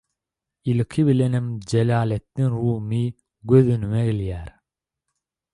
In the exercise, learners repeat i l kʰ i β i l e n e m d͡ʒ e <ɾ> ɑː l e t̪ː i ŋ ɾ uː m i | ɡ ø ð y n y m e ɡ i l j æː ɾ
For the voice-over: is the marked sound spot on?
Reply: no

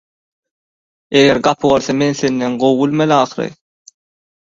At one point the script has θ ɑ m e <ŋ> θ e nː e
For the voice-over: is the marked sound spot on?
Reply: no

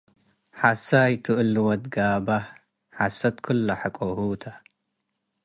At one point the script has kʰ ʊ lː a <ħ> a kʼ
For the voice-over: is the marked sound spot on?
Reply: yes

